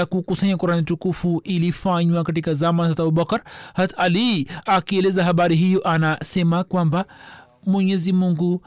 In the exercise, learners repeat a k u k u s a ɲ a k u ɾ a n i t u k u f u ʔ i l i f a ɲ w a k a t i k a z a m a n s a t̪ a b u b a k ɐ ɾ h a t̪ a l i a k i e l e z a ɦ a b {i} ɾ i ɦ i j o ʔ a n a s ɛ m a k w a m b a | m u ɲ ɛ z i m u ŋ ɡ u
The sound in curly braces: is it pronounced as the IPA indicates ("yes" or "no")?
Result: no